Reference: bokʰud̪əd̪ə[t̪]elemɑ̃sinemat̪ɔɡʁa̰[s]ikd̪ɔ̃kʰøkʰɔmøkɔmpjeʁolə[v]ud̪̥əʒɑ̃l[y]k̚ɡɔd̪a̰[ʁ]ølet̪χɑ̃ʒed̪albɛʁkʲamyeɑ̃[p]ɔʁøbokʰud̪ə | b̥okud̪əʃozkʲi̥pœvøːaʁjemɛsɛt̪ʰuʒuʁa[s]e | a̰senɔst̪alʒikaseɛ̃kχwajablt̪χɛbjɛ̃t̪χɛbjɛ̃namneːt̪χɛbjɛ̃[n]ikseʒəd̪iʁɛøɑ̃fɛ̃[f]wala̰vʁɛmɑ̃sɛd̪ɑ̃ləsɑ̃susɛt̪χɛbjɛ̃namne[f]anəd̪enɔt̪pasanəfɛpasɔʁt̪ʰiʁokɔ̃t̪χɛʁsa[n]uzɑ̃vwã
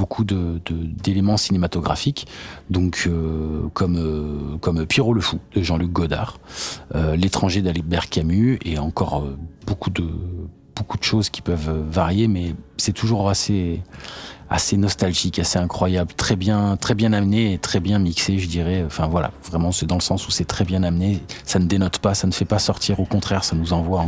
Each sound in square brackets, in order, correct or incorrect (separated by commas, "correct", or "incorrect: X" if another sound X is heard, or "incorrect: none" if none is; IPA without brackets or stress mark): incorrect: d̪, incorrect: f, incorrect: f, correct, correct, incorrect: k, correct, incorrect: m, incorrect: v, incorrect: s, correct